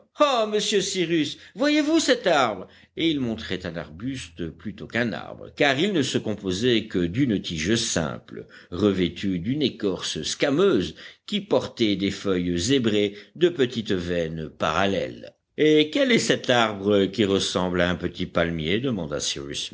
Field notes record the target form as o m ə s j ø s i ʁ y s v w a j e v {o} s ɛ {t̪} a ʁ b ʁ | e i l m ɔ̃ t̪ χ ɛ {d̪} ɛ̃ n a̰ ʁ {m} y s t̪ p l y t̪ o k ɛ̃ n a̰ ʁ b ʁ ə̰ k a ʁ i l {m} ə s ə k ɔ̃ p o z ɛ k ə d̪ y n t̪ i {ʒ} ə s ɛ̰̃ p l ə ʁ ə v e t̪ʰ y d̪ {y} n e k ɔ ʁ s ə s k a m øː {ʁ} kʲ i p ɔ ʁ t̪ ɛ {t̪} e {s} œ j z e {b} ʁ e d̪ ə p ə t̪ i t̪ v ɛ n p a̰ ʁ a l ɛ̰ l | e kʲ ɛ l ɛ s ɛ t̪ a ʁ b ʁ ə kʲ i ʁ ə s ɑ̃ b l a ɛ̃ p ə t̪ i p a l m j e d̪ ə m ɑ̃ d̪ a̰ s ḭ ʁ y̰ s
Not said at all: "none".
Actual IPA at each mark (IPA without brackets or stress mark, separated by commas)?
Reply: u, t̪, t̪, b, n, ʒ, y, z, d̪, f, b